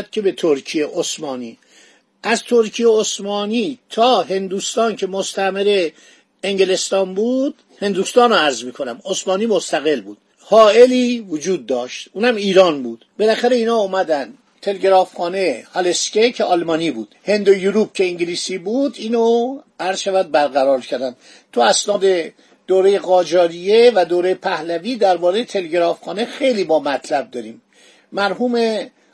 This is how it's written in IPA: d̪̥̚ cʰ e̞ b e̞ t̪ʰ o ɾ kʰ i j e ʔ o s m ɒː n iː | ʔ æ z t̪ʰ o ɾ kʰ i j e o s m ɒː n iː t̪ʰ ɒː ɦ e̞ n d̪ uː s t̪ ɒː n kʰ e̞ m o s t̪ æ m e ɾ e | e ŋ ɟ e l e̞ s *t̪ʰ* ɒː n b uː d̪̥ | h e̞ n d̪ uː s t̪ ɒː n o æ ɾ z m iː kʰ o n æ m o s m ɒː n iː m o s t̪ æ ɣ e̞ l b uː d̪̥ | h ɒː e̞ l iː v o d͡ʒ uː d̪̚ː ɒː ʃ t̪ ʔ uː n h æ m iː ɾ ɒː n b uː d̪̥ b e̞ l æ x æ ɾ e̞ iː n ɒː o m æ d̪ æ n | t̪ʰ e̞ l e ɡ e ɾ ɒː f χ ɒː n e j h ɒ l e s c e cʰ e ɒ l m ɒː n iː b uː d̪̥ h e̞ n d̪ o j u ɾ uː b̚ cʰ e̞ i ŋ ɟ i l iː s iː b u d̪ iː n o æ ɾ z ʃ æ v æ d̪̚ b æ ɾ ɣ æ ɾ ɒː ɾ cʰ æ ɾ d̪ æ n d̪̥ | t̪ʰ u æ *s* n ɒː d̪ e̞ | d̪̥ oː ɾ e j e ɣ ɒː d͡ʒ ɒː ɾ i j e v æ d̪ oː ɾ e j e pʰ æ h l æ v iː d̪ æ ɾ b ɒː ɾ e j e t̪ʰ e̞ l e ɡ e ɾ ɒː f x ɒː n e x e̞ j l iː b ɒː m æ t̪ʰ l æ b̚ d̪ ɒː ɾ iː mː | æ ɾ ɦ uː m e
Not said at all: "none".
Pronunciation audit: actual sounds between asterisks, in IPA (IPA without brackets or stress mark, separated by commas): t̪, s